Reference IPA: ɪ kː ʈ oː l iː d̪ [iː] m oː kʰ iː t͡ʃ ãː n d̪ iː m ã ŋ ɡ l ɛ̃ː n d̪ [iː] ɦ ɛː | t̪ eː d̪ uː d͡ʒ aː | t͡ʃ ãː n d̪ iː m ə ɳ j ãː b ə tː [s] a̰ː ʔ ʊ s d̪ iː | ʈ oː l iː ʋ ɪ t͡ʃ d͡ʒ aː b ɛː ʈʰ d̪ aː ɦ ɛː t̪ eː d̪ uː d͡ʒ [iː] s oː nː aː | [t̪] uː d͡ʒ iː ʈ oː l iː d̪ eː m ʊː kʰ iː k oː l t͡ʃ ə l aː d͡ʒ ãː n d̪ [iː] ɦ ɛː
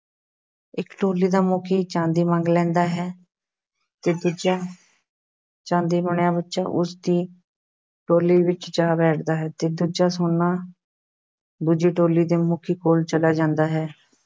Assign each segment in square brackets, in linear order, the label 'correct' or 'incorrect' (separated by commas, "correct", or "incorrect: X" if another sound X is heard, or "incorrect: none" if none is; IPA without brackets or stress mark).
incorrect: aː, incorrect: aː, incorrect: ʃ, incorrect: aː, incorrect: d̪, incorrect: aː